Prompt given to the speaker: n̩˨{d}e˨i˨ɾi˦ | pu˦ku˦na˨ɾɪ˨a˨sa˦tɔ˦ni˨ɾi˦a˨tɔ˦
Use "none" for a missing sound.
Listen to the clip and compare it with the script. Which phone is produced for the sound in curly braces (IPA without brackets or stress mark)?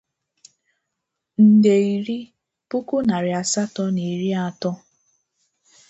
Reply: d